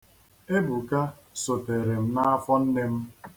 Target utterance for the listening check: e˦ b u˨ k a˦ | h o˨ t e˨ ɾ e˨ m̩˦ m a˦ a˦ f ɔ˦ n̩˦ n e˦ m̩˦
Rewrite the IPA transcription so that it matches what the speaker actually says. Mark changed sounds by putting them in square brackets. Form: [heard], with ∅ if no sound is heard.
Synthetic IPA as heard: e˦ b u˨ k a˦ | [s] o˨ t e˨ ɾ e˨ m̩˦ [n] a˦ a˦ f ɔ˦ n̩˦ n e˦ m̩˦

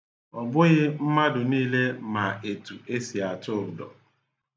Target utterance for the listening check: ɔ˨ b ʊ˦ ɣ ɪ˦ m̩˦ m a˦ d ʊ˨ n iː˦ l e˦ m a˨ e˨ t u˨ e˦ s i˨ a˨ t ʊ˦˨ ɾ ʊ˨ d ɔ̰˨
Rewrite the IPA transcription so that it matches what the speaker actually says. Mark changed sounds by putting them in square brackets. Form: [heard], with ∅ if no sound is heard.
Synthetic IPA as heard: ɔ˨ b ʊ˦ ɣ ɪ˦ m̩˦ m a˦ d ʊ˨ n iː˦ l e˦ m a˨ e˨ t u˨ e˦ s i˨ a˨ t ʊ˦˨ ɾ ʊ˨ d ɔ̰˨

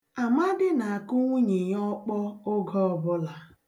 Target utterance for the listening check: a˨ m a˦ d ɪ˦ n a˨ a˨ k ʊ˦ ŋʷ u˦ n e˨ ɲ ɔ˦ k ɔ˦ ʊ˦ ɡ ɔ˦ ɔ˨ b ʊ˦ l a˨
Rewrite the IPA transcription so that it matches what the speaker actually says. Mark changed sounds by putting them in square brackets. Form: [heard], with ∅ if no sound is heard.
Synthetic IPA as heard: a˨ m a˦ d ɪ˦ n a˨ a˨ k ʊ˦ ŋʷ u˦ [ɲ] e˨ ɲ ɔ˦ [k͡p] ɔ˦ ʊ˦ ɡ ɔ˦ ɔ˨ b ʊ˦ l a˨

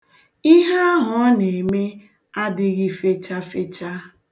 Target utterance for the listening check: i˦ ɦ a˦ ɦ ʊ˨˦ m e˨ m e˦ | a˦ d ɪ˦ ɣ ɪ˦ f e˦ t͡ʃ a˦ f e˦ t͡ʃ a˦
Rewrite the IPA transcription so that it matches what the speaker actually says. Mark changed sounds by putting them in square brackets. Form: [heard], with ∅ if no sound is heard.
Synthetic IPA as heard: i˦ ɦ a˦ ɦ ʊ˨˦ [n] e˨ m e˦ | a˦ d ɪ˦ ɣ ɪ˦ f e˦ t͡ʃ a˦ f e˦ t͡ʃ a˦

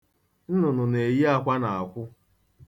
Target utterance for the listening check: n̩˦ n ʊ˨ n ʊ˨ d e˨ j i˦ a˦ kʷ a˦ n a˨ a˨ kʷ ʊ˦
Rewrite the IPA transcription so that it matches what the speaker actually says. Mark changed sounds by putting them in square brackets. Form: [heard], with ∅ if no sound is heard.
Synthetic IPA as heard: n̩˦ n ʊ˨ n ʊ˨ [n] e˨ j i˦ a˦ kʷ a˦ n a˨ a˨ kʷ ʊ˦

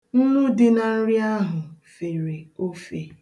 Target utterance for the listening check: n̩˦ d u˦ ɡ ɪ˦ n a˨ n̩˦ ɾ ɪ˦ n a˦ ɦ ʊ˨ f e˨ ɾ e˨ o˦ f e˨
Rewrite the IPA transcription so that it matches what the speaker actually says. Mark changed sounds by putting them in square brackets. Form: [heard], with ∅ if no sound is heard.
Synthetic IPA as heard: n̩˦ [n] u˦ [d] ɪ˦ n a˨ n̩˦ ɾ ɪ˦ [∅] a˦ ɦ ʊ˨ f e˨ ɾ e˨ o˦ f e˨

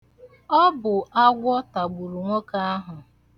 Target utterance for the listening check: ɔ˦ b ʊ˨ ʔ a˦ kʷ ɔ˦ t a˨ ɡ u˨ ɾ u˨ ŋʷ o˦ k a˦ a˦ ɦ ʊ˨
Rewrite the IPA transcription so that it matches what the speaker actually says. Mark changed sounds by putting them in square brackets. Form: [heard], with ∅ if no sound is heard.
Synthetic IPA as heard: ɔ˦ b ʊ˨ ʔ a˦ [ɡʷ] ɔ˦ t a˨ [ɡ͡b] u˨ ɾ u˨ ŋʷ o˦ k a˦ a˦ ɦ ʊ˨

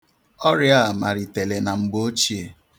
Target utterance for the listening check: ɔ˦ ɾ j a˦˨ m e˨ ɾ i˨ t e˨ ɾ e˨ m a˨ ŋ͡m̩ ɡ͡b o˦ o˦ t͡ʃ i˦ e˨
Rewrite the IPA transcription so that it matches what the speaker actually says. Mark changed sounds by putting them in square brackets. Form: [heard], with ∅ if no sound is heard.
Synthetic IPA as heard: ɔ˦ ɾ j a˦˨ m [a˨] ɾ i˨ t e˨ [l] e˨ [n] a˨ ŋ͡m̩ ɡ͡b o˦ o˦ t͡ʃ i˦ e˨

